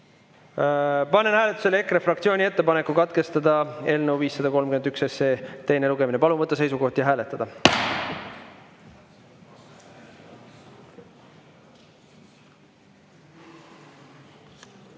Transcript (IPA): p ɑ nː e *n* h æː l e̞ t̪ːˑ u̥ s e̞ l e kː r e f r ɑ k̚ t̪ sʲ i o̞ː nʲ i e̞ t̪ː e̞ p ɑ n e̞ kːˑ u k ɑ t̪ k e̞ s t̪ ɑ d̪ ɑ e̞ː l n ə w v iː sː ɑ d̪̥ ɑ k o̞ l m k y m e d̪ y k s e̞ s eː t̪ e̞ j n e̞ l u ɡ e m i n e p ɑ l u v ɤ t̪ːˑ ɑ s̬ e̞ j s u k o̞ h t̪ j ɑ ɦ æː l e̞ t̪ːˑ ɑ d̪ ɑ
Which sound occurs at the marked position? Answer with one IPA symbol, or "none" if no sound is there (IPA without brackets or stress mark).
n